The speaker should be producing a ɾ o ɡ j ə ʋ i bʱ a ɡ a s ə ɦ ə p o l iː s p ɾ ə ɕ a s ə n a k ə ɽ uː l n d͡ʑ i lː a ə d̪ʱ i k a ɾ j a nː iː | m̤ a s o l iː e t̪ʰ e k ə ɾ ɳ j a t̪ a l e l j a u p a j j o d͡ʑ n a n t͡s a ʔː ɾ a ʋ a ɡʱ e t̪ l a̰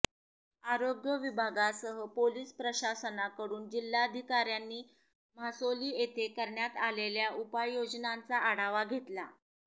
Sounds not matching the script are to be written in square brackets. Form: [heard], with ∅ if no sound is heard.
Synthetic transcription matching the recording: a ɾ o ɡ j ə ʋ i bʱ a ɡ a s ə ɦ ə p o l iː s p ɾ ə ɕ a s ə n a k ə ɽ uː [∅] n d͡ʑ i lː a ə d̪ʱ i k a ɾ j a nː iː | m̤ a s o l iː e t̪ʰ e k ə ɾ ɳ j a t̪ a l e l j a u p a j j o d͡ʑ n a n t͡s a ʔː [ɽ] a ʋ a ɡʱ e t̪ l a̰